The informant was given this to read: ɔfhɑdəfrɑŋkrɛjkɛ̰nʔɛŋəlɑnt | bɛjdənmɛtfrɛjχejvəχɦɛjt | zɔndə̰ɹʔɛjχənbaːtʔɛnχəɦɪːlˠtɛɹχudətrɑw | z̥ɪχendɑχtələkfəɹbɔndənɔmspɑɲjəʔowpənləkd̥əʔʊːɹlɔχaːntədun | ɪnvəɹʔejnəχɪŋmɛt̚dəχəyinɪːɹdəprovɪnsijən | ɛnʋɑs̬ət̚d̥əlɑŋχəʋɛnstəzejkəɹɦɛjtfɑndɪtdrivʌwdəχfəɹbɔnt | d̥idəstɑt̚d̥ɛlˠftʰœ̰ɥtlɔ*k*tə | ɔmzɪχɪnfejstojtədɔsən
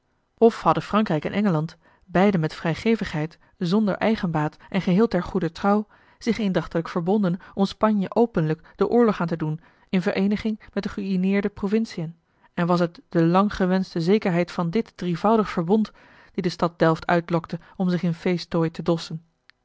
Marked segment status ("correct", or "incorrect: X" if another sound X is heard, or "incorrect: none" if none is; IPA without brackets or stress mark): correct